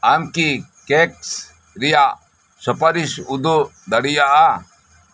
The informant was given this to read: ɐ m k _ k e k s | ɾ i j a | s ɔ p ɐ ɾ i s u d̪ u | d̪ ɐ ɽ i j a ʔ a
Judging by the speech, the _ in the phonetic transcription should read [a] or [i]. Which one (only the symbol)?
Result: i